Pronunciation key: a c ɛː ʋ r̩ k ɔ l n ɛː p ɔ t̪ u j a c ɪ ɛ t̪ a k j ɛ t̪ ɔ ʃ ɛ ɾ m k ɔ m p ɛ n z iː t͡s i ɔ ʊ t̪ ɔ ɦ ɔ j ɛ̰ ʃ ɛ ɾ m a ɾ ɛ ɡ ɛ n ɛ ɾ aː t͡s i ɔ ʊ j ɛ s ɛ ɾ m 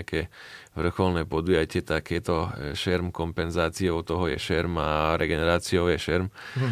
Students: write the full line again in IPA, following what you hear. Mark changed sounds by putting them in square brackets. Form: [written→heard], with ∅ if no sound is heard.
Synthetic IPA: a [c→k] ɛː ʋ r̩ [k→x] ɔ l n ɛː p ɔ [t̪→d̪] u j a c ɪ ɛ t̪ a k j ɛ t̪ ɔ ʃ ɛ ɾ m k ɔ m p ɛ n z [iː→aː] t͡s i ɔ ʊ t̪ ɔ ɦ ɔ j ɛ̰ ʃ ɛ ɾ m a ɾ ɛ ɡ ɛ n ɛ ɾ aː t͡s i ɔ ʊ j ɛ [s→ʃ] ɛ ɾ m